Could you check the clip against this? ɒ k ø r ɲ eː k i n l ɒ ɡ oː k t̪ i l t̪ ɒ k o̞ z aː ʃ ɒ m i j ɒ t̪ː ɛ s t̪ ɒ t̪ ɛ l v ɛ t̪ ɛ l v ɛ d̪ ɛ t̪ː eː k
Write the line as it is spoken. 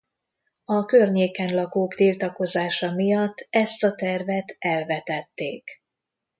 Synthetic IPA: ɒ k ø r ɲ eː k ɛ n l ɒ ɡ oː k t̪ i l t̪ ɒ k o̞ z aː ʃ ɒ m i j ɒ t̪ː ɛ s t̪ ɒ t̪ ɛ r v ɛ t̪ ɛ l v ɛ t̪ ɛ t̪ː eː k